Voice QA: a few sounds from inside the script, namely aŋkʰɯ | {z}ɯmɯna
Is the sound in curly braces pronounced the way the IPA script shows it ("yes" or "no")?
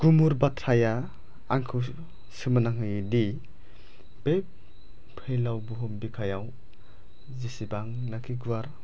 no